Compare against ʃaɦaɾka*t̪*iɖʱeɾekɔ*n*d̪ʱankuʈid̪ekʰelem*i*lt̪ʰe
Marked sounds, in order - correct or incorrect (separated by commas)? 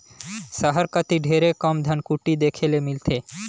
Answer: correct, incorrect, correct